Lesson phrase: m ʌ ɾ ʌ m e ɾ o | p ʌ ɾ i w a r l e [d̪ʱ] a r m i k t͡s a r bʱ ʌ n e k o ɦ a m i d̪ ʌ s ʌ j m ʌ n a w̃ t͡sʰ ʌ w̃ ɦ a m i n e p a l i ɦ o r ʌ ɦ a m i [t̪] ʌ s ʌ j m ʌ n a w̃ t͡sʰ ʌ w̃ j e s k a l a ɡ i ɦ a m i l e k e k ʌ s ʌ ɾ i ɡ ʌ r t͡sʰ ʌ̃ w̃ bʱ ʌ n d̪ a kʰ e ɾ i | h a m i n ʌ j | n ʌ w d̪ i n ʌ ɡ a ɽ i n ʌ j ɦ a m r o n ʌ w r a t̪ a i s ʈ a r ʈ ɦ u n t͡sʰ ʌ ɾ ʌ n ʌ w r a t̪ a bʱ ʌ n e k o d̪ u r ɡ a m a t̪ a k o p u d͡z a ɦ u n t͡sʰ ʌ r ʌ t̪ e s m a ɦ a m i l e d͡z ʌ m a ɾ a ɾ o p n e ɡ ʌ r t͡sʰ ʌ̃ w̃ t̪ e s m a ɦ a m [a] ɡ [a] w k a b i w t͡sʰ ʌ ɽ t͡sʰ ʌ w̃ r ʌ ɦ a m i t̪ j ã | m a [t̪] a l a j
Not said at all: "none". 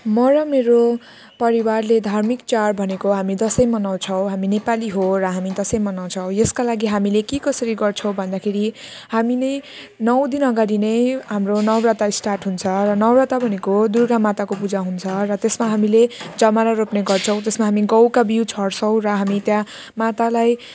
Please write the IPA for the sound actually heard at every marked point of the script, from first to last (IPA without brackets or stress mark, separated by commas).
d̪ʱ, d̪, i, ʌ, t̪